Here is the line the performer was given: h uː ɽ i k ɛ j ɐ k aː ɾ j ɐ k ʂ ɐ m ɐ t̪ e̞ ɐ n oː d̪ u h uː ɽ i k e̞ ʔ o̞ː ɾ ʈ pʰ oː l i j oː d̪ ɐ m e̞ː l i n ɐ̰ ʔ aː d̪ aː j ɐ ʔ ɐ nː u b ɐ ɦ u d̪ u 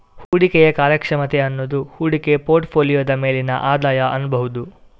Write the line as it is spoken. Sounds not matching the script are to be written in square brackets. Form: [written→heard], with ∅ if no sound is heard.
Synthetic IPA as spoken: h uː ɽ i k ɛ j ɐ k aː ɾ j ɐ k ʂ ɐ m ɐ t̪ e̞ ɐ [n→nː] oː d̪ u h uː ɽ i k e̞ [ʔ→p] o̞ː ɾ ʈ pʰ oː l i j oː d̪ ɐ m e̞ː l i n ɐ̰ ʔ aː d̪ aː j ɐ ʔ ɐ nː u b ɐ ɦ u d̪ u